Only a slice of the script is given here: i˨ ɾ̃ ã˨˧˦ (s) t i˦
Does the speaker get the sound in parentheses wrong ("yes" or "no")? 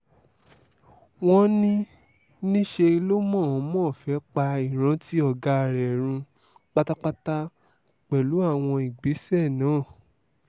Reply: yes